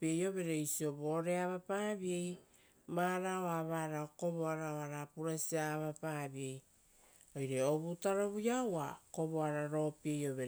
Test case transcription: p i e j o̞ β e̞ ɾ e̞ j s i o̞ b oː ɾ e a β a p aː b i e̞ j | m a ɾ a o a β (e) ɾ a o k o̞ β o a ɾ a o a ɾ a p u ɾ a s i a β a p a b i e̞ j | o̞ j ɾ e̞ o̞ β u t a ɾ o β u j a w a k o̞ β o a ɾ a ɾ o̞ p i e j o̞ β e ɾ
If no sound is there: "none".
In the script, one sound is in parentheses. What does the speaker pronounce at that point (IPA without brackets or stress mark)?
a